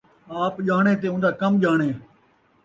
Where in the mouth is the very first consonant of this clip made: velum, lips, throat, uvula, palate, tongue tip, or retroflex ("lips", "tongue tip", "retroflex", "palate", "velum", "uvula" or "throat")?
lips